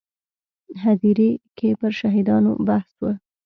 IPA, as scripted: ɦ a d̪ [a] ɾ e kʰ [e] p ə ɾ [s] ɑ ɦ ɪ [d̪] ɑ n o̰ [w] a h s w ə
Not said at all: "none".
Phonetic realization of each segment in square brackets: i, e, ʃ, d̪, b

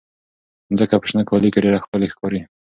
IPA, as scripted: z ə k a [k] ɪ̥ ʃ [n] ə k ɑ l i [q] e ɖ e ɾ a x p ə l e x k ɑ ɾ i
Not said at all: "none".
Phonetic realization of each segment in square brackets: p, n, k

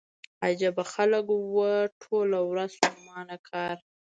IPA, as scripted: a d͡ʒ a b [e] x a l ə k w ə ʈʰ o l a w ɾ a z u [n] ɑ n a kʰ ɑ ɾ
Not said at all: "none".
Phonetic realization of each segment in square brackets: a, m

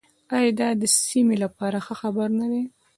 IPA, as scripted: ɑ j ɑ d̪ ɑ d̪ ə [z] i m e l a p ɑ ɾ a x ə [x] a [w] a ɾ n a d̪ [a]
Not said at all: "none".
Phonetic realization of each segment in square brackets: s, x, b, e

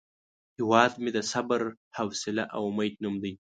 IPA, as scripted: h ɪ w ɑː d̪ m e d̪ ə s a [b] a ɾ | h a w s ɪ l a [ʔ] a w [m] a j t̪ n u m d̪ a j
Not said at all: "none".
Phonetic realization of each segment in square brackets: b, ʔ, m

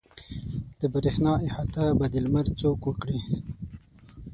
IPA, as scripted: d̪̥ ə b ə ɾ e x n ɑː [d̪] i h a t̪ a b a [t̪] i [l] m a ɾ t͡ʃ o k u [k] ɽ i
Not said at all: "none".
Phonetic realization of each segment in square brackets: none, d̪, l, k

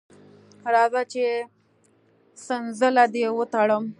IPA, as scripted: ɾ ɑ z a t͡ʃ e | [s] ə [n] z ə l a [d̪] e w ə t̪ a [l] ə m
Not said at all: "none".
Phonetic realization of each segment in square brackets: s, n, d̪, ɽ

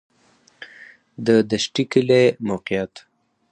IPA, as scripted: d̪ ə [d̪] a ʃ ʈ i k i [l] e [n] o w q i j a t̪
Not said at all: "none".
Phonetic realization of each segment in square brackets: d̪, l, m

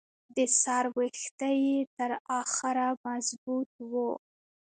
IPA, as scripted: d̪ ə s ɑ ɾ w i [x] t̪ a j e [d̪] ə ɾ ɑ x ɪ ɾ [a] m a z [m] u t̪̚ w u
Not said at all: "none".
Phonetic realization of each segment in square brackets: x, t̪, a, b

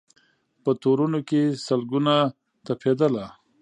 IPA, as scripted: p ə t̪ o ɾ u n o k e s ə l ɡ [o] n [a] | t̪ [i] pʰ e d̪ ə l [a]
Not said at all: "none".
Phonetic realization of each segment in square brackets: u, a, a, a

